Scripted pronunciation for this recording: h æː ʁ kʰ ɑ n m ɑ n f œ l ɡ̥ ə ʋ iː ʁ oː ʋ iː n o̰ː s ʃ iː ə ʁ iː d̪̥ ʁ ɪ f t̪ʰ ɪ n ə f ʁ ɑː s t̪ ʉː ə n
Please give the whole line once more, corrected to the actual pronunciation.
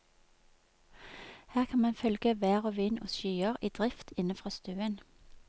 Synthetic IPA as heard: h æː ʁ kʰ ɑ n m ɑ n f œ l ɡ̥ ə ʋ æː ʁ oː ʋ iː n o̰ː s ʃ yː ə ʁ iː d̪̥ ʁ ɪ f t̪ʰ ɪ n ə f ʁ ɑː s t̪ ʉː ə n